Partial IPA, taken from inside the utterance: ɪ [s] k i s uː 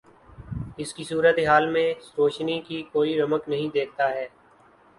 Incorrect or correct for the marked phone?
correct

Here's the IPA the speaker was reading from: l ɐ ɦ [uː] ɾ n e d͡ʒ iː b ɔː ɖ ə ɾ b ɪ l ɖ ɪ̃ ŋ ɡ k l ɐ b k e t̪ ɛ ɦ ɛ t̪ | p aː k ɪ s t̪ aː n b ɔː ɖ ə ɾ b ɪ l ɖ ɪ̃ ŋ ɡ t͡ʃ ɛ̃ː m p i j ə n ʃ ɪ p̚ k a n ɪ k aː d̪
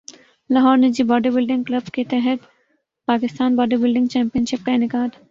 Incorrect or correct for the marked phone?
incorrect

